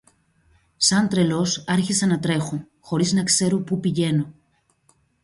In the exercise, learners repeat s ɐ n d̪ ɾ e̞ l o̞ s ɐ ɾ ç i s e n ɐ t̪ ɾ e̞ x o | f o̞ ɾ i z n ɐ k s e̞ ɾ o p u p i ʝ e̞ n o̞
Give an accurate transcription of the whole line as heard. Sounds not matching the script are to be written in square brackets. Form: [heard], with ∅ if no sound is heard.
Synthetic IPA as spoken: s ɐ n [t̪] ɾ e̞ l o̞ s ɐ ɾ ç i s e n ɐ t̪ ɾ e̞ x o | [x] o̞ ɾ i z n ɐ k s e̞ ɾ o p u p i ʝ e̞ n o̞